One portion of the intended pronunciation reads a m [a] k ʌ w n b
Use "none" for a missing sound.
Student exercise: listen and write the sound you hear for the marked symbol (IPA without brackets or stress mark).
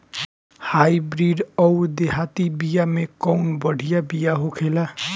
e